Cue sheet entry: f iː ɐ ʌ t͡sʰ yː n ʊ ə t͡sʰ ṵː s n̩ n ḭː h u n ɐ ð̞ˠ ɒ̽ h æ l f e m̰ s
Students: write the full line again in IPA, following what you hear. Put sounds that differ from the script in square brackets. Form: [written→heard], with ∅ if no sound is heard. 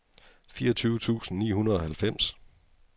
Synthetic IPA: f iː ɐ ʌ t͡sʰ yː [n→∅] ʊ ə t͡sʰ ṵː s n̩ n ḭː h u n ɐ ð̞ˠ ɒ̽ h æ l f e m̰ s